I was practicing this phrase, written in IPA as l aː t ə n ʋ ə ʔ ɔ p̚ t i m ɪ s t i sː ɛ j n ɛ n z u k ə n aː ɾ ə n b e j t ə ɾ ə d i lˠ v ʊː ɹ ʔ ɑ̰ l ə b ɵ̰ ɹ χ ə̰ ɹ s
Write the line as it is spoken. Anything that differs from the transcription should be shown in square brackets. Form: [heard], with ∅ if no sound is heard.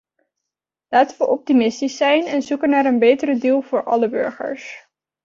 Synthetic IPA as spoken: l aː t ə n ʋ ə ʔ ɔ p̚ t i m ɪ s t i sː ɛ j n ɛ n z u k ə n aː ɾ ə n b e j t ə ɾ ə d i lˠ v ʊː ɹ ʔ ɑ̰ l ə b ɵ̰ ɹ χ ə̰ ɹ s